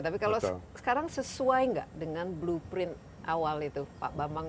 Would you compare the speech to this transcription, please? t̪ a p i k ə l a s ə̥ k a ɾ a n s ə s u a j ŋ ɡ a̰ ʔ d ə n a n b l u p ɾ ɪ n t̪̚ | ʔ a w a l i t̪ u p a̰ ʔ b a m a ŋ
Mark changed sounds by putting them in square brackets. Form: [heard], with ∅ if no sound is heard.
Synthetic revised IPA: t̪ a p i k [a] l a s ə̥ k a ɾ a [ŋ] s ə s u a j ŋ ɡ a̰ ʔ d ə [ŋ] a n b l u p ɾ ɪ n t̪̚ | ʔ a w a l i t̪ u p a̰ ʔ b a m a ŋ